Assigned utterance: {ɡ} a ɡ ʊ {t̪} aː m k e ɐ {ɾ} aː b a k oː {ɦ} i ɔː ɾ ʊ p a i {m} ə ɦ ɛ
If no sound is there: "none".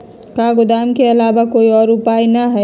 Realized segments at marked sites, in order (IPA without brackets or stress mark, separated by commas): k, d̪, l, none, n